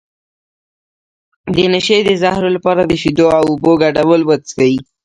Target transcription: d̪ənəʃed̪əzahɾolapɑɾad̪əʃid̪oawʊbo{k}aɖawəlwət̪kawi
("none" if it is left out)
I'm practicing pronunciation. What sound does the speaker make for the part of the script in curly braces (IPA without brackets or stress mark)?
ɡ